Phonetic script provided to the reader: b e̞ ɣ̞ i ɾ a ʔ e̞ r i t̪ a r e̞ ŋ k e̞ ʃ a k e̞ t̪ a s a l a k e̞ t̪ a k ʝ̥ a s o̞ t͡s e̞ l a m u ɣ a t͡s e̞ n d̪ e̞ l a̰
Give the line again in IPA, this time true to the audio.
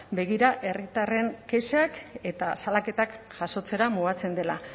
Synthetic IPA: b e̞ ɣ̞ i ɾ a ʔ e̞ r i t̪ a r e̞ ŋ k e̞ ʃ a k e̞ t̪ a s a l a k e̞ t̪ a k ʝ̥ a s o̞ t͡s e̞ ɾ a m u ɣ a t͡s e̞ n d̪ e̞ l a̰